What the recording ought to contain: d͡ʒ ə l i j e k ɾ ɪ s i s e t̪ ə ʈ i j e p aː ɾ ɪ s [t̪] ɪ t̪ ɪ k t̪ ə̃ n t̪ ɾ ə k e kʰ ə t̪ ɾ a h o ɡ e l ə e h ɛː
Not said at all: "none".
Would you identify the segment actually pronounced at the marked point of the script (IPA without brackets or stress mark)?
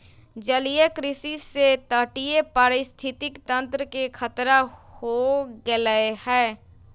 t̪ʰ